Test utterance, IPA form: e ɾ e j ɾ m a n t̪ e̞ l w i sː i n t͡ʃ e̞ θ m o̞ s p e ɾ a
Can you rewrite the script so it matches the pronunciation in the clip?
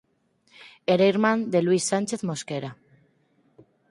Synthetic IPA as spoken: e ɾ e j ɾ m a n d̪ e̞ l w i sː a n t͡ʃ e̞ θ m o̞ s k e ɾ a